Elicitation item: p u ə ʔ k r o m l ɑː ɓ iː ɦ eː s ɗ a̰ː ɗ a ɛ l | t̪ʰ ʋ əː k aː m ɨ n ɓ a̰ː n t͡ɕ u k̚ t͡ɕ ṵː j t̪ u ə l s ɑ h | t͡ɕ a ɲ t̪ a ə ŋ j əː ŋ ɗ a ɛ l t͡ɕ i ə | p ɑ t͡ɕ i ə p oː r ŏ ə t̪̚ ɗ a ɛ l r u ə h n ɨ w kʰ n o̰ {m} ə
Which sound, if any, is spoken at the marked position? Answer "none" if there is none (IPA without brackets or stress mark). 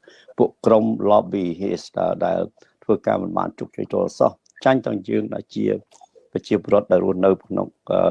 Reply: ŋ